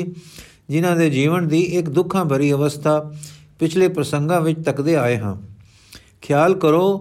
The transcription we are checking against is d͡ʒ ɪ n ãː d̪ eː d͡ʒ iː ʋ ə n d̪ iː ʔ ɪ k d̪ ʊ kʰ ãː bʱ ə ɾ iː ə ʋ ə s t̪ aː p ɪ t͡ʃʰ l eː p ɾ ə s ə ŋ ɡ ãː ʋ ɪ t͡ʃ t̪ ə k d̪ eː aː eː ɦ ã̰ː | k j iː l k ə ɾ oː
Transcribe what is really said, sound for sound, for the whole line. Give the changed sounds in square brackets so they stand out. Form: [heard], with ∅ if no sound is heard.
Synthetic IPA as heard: d͡ʒ ɪ n ãː d̪ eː d͡ʒ iː ʋ ə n d̪ iː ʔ ɪ k d̪ ʊ kʰ ãː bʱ ə ɾ iː ə ʋ ə s [t̪ʰ] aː p ɪ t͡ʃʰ l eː p ɾ ə s ə ŋ ɡ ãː ʋ ɪ t͡ʃ t̪ ə k d̪ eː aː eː ɦ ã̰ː | [kʰ] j [aː] l k ə ɾ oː